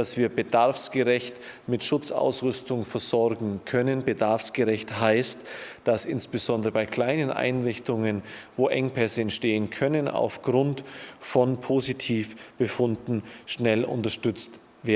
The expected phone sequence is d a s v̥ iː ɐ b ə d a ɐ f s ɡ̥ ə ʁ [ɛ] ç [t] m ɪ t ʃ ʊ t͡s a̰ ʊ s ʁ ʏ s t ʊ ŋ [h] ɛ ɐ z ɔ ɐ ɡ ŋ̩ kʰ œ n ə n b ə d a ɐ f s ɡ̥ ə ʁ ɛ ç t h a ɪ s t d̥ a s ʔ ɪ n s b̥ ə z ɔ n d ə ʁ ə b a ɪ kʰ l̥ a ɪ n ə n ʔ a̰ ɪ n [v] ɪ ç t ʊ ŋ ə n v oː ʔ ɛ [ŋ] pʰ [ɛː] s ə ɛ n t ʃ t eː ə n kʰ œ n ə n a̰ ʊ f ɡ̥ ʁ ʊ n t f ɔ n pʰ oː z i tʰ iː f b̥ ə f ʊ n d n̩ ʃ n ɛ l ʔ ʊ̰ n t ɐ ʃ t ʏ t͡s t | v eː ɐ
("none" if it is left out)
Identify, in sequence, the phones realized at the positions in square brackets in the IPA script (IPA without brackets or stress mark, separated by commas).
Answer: ɛ, t, f, ʁ, ŋ, ɛ